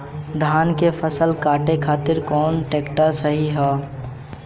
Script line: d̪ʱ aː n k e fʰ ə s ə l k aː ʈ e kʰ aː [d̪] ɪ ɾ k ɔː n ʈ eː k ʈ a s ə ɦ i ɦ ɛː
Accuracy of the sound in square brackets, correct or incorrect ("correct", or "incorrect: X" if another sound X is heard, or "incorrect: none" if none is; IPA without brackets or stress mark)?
incorrect: t̪